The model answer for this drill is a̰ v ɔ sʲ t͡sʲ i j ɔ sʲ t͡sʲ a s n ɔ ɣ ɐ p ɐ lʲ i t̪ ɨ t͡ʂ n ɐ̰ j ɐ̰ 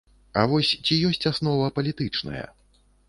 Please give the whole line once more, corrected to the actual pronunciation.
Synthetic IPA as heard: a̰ v ɔ sʲ t͡sʲ i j ɔ sʲ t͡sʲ a s n ɔ v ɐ p ɐ lʲ i t̪ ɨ t͡ʂ n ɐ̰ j ɐ̰